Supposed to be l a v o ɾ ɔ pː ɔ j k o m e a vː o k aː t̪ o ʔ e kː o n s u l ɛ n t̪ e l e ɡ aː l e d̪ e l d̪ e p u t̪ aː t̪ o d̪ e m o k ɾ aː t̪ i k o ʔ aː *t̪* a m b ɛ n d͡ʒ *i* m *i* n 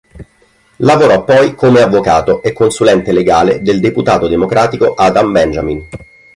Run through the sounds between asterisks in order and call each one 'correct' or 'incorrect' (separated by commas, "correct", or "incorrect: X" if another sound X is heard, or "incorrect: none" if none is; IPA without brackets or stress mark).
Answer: incorrect: d̪, incorrect: a, correct